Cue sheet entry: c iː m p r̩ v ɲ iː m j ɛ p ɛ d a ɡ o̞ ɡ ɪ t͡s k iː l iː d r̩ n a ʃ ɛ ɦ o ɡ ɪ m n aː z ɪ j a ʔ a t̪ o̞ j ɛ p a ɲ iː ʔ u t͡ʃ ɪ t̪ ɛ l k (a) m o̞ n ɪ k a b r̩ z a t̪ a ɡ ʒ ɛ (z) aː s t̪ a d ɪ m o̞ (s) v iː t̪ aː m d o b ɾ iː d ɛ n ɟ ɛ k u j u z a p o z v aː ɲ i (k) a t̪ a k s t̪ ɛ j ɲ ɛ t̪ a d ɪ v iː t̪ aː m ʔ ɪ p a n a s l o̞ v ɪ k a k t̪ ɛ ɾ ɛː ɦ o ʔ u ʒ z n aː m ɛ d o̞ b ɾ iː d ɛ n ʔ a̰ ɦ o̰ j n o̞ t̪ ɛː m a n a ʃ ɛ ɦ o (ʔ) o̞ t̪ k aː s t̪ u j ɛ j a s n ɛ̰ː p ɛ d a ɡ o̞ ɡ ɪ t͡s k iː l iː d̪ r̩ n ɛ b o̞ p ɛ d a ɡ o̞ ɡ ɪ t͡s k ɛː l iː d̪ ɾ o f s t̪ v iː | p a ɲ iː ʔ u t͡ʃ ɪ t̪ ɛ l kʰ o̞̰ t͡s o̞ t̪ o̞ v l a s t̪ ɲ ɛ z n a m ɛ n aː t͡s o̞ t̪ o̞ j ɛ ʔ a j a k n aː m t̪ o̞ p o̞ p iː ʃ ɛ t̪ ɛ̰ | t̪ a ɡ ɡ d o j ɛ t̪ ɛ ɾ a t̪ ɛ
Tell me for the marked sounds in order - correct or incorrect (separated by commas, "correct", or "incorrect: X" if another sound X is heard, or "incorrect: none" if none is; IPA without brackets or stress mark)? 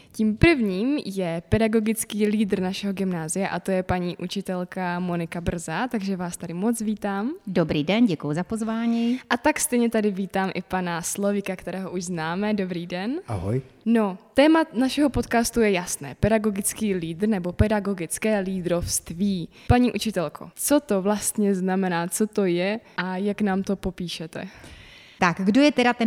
correct, incorrect: v, incorrect: t͡s, incorrect: ʔ, incorrect: p